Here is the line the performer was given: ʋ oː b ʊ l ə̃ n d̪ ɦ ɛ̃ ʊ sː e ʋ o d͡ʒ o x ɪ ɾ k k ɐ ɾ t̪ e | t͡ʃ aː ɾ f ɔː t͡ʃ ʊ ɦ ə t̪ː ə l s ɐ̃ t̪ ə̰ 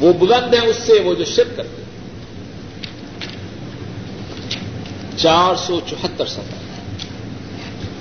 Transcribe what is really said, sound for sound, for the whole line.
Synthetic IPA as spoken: ʋ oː b ʊ l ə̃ n d̪ ɦ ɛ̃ ʊ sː e ʋ o d͡ʒ o ʃ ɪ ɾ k k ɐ ɾ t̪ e | t͡ʃ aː ɾ s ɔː t͡ʃ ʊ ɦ ə t̪ː ə ɾ s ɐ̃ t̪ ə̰